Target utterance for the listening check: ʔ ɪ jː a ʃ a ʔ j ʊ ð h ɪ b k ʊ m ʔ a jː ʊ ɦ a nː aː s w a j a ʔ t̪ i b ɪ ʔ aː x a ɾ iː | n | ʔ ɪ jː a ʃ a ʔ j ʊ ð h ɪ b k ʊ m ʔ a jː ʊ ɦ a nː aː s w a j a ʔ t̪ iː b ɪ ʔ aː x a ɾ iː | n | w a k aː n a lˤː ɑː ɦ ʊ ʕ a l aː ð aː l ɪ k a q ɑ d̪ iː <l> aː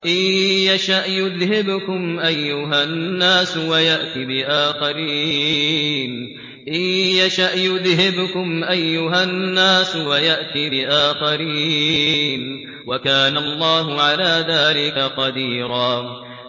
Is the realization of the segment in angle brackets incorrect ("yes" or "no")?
yes